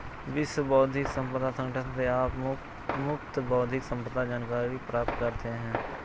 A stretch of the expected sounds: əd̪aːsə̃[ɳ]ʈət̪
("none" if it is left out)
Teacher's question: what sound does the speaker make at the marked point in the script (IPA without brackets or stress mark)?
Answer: ŋ